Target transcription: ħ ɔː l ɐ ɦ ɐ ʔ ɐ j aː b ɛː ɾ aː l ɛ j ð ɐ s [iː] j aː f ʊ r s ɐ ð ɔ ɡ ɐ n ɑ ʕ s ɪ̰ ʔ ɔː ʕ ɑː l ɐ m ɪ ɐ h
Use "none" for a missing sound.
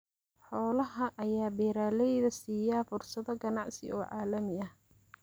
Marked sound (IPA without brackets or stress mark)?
iː